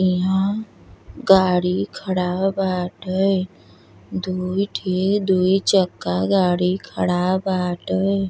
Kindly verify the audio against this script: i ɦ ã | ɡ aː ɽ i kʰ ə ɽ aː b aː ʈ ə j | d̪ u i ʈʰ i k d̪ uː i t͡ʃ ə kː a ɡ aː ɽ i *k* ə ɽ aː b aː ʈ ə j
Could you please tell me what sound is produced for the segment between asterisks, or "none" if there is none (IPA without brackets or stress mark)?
kʰ